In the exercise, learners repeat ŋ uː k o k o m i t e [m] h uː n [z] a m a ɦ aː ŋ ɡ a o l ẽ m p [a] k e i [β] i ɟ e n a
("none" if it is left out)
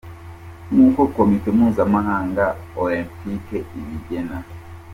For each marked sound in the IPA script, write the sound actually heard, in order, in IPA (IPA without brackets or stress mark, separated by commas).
m, z, i, β